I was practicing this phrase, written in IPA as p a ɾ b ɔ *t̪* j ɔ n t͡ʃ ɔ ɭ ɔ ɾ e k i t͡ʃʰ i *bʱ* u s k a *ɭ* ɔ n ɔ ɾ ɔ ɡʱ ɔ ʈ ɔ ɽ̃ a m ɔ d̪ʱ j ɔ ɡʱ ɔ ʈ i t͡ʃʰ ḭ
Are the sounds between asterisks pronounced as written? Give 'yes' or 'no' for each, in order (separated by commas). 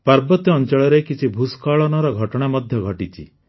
yes, yes, yes